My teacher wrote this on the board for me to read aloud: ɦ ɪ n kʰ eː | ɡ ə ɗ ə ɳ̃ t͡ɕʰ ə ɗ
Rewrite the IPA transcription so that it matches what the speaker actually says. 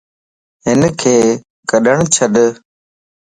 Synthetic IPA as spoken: ɦ ɪ n kʰ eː | k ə ɗ ə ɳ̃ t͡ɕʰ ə ɗ